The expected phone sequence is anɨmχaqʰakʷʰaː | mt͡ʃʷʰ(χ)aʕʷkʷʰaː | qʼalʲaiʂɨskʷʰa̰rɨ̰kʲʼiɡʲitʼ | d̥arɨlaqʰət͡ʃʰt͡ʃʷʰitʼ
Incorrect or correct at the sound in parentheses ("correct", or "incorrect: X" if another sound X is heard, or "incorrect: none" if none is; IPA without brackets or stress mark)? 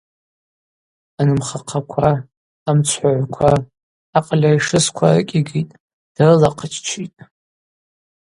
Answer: incorrect: ħ